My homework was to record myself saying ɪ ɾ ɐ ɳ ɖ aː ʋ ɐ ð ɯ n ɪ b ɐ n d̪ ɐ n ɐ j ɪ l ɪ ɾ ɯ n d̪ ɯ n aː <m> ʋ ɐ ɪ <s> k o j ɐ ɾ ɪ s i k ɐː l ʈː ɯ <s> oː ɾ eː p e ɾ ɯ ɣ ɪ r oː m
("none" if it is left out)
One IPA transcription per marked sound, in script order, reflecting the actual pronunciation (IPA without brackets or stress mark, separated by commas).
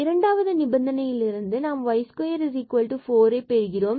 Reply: m, s, f